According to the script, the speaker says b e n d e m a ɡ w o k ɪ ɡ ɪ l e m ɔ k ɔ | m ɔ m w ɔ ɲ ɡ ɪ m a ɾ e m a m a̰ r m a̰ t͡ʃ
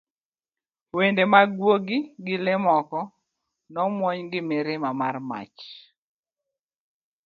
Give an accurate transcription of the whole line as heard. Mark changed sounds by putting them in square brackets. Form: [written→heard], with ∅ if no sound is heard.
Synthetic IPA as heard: [b→w] e n d e m a ɡ w o [k→ɡ] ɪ ɡ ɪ l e m ɔ k ɔ | [m→n] ɔ m w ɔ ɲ ɡ ɪ m [a→e] ɾ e m a m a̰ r m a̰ t͡ʃ